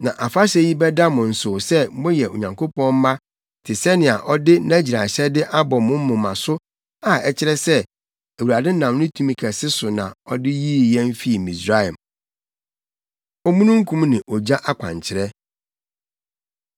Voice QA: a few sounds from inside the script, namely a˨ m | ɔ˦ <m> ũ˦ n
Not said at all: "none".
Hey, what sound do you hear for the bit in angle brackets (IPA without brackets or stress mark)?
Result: m